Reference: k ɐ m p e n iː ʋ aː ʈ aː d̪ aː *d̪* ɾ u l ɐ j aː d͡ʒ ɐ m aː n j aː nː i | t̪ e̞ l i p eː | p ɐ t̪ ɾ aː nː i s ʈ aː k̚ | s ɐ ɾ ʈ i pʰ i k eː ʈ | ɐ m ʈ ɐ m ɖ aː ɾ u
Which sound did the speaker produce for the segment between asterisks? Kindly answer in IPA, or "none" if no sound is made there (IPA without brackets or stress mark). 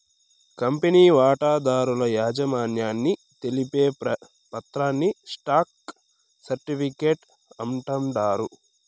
none